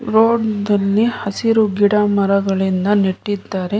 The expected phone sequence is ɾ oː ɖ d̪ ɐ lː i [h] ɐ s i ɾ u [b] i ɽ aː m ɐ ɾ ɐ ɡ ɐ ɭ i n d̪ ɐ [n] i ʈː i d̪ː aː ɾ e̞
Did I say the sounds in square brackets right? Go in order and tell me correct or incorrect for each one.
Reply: correct, incorrect: ɡ, correct

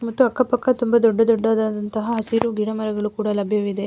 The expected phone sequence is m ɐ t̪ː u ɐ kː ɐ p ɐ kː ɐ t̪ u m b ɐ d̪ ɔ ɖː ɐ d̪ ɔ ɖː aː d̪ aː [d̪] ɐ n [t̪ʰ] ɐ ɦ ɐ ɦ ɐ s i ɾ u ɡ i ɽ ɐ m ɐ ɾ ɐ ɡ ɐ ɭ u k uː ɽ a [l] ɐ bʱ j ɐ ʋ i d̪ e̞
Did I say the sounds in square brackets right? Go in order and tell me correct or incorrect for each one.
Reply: correct, incorrect: t̪, correct

